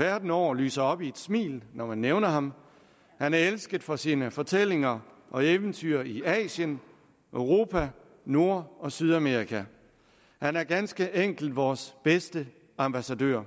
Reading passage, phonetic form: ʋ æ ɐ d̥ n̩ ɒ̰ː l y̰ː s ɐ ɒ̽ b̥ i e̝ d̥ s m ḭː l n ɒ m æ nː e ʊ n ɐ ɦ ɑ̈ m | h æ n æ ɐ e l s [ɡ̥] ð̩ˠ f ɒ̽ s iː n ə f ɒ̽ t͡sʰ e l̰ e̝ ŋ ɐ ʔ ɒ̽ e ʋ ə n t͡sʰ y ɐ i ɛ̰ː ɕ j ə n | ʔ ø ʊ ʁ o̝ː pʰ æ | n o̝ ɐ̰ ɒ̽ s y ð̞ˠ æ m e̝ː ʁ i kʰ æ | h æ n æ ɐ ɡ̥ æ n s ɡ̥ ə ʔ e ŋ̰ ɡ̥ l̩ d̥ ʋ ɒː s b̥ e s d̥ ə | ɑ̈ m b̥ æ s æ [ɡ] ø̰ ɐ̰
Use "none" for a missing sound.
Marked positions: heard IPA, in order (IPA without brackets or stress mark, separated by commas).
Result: ɡ̥, d